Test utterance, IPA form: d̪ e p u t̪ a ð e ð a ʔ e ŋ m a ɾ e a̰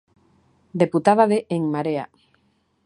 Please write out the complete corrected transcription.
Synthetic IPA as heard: d̪ e p u t̪ a ð a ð e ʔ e ŋ m a ɾ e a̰